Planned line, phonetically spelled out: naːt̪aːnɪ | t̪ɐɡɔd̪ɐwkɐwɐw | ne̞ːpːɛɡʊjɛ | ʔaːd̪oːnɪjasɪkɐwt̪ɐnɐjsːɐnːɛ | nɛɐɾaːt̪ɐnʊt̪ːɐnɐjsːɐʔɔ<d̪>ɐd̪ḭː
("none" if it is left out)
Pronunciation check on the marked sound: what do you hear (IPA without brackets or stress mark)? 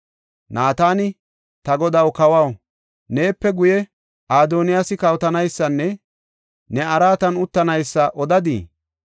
d̪